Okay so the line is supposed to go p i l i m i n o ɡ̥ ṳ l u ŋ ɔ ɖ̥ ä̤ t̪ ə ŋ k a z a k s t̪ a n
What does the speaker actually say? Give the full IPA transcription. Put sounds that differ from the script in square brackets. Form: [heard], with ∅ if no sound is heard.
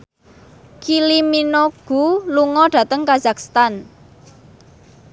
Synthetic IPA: [k] i l i m i n o ɡ̥ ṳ l u ŋ ɔ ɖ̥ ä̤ t̪ ə ŋ k a z a k s t̪ a n